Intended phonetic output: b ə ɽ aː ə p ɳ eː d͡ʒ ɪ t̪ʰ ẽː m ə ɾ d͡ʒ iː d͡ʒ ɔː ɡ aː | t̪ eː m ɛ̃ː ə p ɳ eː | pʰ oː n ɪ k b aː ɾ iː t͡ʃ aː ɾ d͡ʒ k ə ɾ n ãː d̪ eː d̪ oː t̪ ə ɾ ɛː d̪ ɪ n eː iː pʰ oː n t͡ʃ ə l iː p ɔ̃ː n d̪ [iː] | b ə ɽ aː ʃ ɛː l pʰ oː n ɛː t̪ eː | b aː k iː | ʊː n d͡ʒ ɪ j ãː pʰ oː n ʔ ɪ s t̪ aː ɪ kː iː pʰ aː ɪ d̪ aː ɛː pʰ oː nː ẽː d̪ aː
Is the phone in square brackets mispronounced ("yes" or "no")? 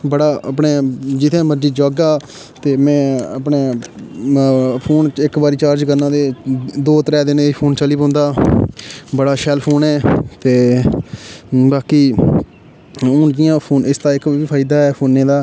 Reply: yes